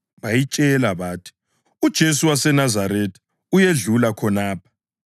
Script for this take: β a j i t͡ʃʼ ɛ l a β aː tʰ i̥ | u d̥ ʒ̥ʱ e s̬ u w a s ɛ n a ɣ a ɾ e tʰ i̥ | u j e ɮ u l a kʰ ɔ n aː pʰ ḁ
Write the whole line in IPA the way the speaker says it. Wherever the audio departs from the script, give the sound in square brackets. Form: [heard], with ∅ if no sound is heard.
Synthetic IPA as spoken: β a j i t͡ʃʼ ɛ l a β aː tʰ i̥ | u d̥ ʒ̥ʱ e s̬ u w a s ɛ n a [z] a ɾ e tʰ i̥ | u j e ɮ u l a kʰ ɔ n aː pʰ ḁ